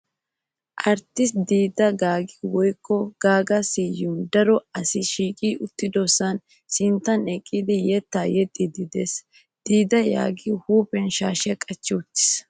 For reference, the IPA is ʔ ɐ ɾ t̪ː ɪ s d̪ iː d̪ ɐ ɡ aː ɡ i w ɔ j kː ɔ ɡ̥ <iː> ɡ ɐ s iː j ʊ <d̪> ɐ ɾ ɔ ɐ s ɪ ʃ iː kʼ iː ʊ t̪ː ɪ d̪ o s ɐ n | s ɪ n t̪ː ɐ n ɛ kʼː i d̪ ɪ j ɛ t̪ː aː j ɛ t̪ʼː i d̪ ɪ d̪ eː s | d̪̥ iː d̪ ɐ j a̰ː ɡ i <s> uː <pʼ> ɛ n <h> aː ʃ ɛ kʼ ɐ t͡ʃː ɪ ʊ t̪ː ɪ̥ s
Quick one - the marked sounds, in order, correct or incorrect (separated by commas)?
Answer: incorrect, correct, incorrect, incorrect, incorrect